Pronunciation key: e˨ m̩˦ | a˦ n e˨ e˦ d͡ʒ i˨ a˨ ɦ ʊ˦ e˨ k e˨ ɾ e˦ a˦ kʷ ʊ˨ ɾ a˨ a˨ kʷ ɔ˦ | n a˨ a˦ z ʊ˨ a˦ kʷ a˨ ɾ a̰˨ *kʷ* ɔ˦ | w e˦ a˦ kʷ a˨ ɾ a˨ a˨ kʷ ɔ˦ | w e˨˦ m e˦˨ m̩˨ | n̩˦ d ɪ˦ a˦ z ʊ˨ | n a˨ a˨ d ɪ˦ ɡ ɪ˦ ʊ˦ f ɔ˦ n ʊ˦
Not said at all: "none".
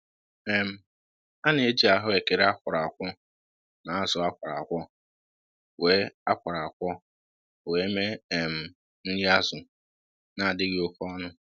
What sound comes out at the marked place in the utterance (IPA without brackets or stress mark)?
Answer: kʷ